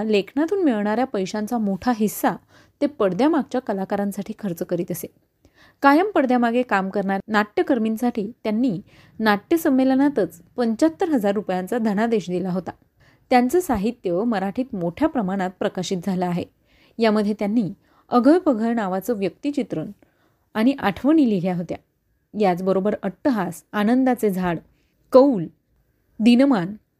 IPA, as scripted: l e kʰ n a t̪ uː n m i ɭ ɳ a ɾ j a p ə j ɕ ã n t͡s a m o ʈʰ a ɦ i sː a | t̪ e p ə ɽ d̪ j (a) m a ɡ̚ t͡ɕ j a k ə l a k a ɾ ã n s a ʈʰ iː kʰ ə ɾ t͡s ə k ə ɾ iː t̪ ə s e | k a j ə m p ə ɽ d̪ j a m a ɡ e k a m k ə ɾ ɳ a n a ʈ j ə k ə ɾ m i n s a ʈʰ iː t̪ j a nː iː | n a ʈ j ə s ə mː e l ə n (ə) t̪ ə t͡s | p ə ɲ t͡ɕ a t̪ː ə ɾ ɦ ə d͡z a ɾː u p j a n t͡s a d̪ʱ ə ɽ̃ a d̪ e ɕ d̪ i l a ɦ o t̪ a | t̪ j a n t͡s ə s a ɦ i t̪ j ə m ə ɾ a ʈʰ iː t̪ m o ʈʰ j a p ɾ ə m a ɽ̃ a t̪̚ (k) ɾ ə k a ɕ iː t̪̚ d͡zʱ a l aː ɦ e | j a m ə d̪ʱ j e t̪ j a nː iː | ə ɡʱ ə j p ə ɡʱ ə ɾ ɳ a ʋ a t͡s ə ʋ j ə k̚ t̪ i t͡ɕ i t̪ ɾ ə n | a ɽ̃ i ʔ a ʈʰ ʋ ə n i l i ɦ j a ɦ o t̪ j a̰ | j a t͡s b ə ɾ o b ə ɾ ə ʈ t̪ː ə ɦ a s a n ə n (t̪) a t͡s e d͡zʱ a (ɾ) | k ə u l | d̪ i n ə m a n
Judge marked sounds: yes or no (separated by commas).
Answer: yes, no, no, no, no